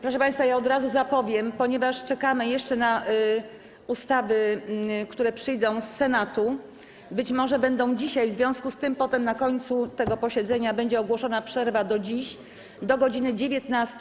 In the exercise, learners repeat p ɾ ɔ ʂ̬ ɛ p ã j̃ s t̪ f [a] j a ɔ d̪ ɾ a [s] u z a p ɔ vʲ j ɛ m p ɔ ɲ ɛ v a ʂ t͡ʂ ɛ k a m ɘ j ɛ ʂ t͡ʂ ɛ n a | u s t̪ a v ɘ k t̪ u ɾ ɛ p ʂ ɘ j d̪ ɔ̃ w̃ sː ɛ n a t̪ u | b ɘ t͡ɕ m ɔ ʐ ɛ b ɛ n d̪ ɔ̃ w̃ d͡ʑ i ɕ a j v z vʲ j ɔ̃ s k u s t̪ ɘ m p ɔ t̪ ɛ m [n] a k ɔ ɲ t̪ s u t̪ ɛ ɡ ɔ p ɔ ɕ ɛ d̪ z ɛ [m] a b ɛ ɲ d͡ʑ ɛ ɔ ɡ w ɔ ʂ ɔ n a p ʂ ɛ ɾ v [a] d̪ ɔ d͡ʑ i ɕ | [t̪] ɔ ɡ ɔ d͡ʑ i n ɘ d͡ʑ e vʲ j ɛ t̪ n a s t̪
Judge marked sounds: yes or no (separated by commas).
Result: yes, no, yes, no, yes, no